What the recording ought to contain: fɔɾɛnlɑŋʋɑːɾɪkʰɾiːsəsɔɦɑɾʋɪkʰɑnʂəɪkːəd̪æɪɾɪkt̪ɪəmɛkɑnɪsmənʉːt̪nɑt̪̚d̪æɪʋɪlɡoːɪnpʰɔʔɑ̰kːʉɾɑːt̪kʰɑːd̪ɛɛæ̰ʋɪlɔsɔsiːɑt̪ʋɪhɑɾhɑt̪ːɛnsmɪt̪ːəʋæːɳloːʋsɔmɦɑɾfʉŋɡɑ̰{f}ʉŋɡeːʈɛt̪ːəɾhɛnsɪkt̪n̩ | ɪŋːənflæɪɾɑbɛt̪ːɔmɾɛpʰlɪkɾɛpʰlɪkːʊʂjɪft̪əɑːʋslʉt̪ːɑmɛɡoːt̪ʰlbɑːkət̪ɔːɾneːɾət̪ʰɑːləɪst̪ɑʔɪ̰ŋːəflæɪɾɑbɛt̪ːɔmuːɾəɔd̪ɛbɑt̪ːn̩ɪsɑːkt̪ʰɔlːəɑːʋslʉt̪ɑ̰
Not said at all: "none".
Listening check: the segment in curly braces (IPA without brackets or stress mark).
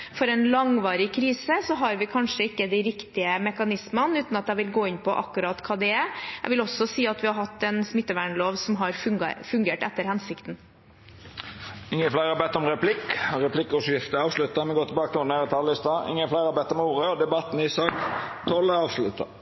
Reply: f